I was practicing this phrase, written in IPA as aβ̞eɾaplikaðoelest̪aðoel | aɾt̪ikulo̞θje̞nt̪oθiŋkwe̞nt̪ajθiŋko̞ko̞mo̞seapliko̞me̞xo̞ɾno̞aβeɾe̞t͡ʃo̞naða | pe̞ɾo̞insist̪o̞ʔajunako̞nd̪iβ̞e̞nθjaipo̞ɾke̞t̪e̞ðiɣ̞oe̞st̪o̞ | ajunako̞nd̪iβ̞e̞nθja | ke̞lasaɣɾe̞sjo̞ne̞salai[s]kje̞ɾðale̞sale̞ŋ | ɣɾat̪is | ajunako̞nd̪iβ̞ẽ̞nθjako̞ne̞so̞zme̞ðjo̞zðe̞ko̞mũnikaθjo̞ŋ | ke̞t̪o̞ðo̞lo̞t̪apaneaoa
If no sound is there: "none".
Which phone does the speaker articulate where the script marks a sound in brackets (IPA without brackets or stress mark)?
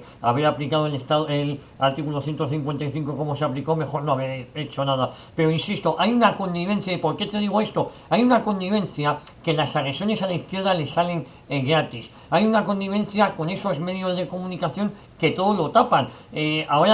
θ